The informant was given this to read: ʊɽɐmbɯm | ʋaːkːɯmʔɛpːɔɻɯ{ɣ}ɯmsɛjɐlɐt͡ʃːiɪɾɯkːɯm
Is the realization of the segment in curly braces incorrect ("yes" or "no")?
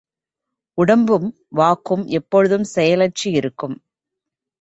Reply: yes